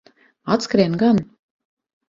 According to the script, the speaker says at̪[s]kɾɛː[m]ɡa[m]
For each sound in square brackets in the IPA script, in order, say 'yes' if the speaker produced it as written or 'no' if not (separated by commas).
yes, no, no